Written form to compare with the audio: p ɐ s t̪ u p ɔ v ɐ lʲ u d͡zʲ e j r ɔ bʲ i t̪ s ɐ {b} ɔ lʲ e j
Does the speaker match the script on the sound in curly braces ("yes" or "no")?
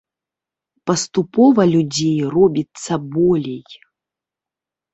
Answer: yes